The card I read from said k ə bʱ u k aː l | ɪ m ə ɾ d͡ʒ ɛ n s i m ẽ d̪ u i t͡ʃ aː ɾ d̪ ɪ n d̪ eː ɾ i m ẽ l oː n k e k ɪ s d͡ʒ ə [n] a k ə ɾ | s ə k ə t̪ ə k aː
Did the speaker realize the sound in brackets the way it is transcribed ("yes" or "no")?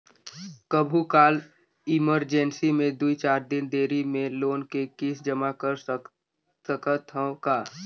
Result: no